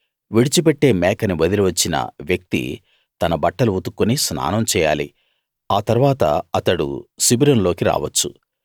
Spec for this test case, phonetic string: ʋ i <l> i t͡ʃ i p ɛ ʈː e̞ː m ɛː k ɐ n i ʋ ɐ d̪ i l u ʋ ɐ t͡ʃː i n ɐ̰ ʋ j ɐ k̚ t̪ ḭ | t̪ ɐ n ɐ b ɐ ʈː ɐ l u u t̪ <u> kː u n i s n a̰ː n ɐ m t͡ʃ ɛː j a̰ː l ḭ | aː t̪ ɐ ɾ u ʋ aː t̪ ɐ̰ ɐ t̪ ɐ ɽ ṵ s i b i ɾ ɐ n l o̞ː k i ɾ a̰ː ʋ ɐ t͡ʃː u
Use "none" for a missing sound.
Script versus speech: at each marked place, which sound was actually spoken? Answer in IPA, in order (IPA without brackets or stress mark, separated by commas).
ɽ, u